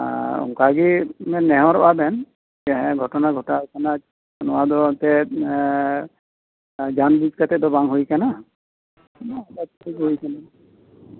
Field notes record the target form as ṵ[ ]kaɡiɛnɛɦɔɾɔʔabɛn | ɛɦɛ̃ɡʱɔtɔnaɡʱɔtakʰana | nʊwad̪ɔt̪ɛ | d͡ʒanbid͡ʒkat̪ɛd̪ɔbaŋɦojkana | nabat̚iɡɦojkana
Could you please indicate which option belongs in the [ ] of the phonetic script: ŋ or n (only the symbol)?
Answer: ŋ